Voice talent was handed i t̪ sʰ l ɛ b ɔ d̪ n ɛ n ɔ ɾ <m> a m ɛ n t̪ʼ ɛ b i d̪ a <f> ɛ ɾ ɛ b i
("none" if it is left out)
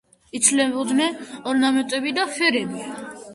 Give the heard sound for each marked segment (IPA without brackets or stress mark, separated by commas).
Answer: n, f